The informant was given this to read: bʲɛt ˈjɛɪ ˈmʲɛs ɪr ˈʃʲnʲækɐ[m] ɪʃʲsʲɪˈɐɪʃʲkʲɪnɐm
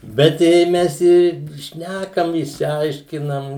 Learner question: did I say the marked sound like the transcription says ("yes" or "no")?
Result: yes